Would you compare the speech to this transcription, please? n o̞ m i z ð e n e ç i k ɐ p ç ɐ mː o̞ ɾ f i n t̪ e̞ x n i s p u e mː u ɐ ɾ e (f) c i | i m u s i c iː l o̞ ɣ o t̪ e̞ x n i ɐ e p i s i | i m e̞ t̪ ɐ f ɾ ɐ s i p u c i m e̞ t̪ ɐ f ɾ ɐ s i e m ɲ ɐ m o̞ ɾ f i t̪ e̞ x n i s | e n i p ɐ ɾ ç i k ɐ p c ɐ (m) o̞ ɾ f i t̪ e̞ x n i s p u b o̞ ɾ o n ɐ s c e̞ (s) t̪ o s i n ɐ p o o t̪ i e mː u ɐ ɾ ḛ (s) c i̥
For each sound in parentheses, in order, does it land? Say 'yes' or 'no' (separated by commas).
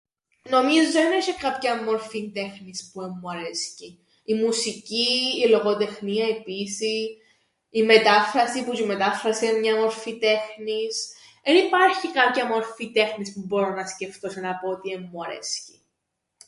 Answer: no, yes, no, yes